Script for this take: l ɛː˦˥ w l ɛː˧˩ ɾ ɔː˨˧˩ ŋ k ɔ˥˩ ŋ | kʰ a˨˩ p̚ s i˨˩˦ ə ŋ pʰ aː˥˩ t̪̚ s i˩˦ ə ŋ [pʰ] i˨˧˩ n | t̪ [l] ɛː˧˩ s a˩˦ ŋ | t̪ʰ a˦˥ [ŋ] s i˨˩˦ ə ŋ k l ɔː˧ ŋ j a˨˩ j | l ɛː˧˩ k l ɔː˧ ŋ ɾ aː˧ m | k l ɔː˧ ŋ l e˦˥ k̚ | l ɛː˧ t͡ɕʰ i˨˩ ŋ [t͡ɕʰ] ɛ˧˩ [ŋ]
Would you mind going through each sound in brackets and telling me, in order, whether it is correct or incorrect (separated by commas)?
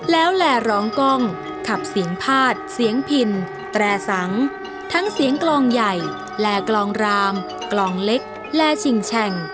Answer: correct, incorrect, correct, correct, correct